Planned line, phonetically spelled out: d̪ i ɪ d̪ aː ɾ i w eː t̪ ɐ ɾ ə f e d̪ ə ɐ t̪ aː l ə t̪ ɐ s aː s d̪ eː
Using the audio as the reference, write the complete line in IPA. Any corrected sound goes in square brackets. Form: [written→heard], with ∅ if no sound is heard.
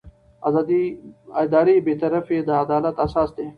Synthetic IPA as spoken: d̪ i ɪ d̪ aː ɾ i [w→b] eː t̪ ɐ ɾ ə f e d̪ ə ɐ [t̪→d̪] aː l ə t̪ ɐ s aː s d̪ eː